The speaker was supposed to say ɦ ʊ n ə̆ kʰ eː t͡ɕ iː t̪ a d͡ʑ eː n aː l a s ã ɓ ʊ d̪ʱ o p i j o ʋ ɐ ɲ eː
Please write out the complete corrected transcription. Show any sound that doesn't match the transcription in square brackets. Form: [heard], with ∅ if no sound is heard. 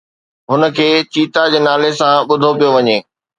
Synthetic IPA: ɦ ʊ n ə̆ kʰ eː t͡ɕ iː t̪ a d͡ʑ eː n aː l [e] s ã ɓ ʊ d̪ʱ o p i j o ʋ ɐ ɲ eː